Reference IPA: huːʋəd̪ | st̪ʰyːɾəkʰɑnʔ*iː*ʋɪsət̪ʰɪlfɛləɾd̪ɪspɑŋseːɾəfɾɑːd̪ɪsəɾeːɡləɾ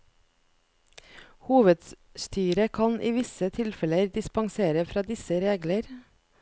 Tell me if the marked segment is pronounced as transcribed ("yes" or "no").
yes